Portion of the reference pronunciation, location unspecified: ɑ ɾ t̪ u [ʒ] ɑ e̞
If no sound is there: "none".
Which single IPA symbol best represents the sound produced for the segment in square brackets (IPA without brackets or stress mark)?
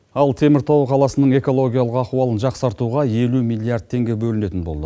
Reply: ʁ